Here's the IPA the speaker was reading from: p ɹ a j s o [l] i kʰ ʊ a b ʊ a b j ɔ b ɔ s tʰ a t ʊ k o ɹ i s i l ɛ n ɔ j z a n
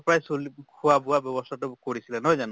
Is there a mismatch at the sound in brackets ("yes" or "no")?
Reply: no